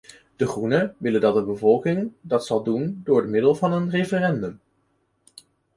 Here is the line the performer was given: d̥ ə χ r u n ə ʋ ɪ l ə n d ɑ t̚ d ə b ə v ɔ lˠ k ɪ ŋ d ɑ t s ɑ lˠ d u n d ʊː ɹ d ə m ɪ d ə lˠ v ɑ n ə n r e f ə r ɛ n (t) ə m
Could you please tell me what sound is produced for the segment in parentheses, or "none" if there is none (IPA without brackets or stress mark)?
d